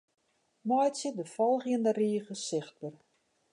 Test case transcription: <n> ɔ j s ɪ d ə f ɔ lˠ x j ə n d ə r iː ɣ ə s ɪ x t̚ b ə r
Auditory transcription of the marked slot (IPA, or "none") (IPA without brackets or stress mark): m